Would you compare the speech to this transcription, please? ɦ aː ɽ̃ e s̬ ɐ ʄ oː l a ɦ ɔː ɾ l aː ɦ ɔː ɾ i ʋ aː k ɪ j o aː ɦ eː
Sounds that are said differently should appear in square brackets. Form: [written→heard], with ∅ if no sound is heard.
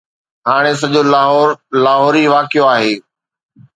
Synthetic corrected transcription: ɦ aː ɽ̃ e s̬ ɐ ʄ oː l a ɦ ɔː ɾ l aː ɦ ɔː ɾ i ʋ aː k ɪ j o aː ɦ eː